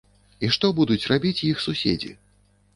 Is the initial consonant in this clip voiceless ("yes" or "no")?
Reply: yes